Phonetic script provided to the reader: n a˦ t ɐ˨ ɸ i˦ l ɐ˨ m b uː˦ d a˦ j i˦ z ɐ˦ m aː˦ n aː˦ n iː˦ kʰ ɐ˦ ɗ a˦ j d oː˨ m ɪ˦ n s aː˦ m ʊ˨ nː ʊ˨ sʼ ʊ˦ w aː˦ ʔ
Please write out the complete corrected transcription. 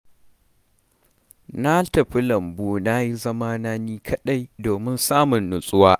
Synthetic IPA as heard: n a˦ t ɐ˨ ɸ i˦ l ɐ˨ m b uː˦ n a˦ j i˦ z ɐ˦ m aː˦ n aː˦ n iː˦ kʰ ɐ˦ ɗ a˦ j d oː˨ m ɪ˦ n s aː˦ m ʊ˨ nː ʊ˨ sʼ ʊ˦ w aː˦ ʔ